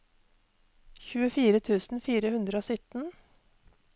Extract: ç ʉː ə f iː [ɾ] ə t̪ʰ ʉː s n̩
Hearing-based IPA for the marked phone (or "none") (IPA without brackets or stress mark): ɾ